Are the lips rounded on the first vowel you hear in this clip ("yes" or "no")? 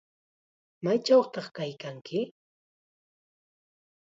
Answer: no